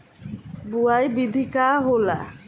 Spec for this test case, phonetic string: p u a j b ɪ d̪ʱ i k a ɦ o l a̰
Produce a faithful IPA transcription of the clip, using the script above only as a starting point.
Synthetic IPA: b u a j b i d̪ʱ i k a ɦ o l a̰

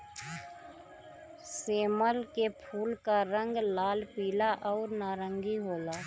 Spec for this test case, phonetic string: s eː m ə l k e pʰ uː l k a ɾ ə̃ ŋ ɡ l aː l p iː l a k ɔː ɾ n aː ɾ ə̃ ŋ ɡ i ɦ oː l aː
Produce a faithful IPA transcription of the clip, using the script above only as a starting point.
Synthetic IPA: s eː m ə l k e pʰ uː l k a ɾ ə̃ ŋ ɡ l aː l p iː l a ʔ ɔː ɾ n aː ɾ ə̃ ŋ ɡ i ɦ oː l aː

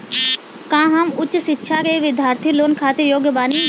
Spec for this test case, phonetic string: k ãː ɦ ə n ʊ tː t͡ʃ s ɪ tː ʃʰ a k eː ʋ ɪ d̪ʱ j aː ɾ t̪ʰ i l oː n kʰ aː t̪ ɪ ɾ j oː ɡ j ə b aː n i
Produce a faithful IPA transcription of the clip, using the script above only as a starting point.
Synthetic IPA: k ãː ɦ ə m ʊ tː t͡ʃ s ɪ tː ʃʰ a k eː ʋ ɪ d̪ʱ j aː ɾ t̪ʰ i l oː n kʰ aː t̪ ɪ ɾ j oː ɡ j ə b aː n i

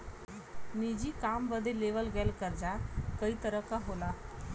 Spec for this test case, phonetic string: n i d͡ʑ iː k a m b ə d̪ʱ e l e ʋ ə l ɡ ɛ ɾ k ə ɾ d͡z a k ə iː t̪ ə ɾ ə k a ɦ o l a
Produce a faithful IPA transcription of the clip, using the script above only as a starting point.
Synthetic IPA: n i d͡ʑ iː k a m b ə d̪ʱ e l e ʋ ə l ɡ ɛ l k ə ɾ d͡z a k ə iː t̪ ə ɾ ə k a ɦ o l a

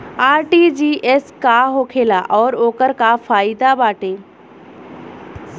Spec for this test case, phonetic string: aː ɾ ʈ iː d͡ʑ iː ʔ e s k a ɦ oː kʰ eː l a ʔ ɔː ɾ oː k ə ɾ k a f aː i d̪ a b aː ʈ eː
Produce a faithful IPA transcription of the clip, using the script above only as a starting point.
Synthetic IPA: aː ɾ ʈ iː d͡ʑ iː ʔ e s k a ɦ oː kʰ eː l a ʔ ɔː ɾ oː k ə ɾ k a f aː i d̪ a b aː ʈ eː

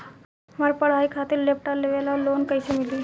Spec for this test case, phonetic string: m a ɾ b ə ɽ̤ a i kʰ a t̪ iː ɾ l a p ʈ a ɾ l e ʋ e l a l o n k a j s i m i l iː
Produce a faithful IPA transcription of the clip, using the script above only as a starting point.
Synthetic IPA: m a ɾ p ə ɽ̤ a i kʰ a t̪ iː ɾ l e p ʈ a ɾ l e ʋ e l a l o n k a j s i m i l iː

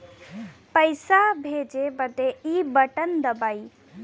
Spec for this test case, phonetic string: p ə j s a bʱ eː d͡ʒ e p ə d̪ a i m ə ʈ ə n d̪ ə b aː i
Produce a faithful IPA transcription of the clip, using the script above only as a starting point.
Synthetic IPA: p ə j s a bʱ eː d͡ʒ e b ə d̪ e i b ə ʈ ə n d̪ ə b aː i

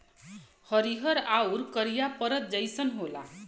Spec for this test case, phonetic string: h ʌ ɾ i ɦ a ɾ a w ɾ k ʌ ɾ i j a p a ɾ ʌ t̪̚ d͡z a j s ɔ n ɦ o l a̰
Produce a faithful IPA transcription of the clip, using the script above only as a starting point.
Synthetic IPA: h ʌ ɾ i ɦ ʌ ɾ a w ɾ k ʌ ɾ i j a p ʌ ɾ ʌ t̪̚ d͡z ʌ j s ʌ n ɦ o l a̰

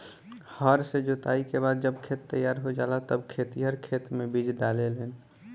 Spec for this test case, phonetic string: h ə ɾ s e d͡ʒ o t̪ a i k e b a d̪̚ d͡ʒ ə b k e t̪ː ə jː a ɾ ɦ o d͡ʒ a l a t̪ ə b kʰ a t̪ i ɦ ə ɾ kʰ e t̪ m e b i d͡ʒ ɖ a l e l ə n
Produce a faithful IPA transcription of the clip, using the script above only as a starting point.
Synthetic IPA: h ə ɾ s e d͡ʒ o t̪ a i k e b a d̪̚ d͡ʒ ə b kʰ e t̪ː ə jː a ɾ ɦ o d͡ʒ a l a t̪ ə b kʰ e t̪ i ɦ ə ɾ kʰ e t̪ m e b i d͡ʒ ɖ a l e l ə n

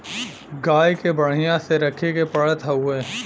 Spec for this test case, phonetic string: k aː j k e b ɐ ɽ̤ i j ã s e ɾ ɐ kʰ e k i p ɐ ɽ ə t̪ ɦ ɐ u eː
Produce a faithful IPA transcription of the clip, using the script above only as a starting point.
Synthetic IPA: ɡ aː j k e b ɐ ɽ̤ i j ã s e ɾ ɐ kʰ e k e p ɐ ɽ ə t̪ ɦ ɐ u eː

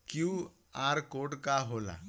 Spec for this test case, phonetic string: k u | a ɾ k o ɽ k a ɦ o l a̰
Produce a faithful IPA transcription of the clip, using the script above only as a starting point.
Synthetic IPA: k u | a ɾ k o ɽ k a ɦ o l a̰

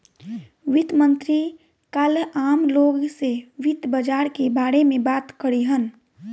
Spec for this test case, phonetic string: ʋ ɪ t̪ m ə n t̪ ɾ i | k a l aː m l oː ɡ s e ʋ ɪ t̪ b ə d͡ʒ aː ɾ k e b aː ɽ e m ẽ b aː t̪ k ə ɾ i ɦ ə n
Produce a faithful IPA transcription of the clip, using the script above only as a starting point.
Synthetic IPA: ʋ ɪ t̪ m ə n t̪ ɾ i | k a l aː m l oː ɡ s e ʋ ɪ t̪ b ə d͡ʒ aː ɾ k e b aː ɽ e m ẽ b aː t̪ k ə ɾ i ɦ ə n

